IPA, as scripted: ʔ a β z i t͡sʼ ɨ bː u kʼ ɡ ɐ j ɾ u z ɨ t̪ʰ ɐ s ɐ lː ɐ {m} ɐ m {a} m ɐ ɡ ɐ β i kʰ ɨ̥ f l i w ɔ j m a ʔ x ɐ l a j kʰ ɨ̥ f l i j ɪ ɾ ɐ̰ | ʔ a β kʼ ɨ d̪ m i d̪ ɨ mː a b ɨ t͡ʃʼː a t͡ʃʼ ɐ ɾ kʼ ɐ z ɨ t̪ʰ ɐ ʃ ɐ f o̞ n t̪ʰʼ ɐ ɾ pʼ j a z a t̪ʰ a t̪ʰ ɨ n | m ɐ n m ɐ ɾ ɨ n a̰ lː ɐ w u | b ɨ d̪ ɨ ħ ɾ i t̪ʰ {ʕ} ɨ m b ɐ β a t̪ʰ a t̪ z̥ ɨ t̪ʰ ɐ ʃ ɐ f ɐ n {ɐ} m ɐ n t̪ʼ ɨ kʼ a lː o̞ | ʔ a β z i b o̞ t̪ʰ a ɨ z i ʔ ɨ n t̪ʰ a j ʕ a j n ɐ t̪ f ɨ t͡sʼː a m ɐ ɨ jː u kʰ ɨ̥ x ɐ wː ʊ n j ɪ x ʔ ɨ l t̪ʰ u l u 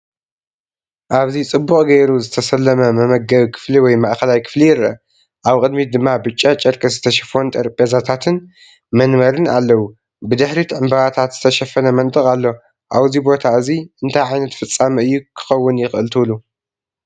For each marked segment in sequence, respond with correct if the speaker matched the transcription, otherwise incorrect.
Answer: correct, incorrect: ɐ, correct, correct

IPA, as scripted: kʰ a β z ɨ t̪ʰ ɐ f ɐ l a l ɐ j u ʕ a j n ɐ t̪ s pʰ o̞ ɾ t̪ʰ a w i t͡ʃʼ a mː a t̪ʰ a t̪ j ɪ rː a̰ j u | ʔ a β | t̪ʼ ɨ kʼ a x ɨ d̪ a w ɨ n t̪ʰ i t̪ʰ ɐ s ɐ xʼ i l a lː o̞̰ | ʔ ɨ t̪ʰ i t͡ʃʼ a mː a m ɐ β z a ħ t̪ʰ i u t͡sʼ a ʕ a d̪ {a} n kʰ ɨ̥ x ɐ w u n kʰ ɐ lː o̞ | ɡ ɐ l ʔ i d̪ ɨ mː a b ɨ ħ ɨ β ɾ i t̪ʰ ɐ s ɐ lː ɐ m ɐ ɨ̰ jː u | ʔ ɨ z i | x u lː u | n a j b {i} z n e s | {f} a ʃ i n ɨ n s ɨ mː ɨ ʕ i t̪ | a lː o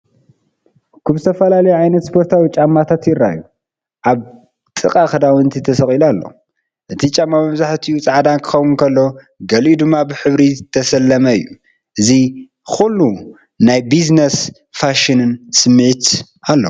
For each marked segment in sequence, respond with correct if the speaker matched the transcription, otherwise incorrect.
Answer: correct, correct, correct

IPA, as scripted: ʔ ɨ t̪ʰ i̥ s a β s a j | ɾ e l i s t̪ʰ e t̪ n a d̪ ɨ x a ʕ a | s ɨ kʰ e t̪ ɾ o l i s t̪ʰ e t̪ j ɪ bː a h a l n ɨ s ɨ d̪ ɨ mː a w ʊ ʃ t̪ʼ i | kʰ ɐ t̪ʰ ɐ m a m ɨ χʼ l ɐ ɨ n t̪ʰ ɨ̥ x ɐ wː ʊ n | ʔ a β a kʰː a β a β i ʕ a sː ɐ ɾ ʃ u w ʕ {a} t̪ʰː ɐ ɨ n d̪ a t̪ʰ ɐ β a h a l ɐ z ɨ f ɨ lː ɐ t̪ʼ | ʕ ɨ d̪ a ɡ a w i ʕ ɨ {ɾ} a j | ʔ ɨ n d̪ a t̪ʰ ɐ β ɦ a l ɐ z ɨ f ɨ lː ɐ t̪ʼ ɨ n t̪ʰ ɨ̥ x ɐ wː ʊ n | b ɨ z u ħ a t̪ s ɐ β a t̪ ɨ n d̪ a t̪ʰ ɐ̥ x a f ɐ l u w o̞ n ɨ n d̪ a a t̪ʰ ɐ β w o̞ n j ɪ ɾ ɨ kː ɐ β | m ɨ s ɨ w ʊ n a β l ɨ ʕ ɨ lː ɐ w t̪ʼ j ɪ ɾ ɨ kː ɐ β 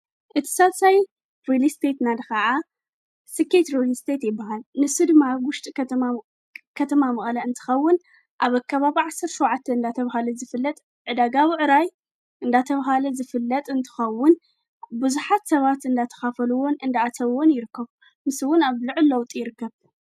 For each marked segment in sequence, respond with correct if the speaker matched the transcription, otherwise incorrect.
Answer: correct, correct

